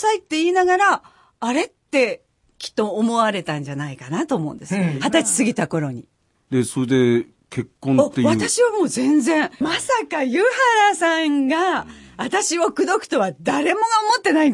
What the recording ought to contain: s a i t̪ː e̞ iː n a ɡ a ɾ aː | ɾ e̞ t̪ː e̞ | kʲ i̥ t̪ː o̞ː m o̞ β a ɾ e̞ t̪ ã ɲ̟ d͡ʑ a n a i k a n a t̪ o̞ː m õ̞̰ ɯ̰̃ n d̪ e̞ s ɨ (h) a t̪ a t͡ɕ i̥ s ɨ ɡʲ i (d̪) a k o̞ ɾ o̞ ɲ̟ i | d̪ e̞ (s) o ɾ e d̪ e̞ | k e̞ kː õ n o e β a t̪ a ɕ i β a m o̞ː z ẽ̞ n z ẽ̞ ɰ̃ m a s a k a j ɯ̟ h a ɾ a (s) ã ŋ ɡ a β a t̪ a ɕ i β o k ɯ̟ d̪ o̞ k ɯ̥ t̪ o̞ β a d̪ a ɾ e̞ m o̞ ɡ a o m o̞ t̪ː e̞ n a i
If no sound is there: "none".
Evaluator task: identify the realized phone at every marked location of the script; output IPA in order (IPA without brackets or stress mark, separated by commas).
h, t̪, s, s